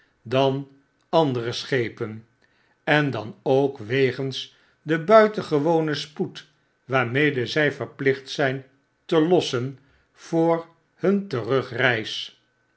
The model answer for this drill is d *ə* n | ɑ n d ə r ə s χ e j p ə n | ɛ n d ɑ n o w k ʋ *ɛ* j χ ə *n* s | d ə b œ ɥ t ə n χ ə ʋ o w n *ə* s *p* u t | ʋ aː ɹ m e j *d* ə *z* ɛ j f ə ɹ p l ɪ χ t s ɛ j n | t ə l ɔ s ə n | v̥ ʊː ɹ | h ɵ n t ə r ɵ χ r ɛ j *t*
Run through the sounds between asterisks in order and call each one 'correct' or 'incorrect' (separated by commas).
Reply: incorrect, incorrect, correct, correct, correct, correct, correct, incorrect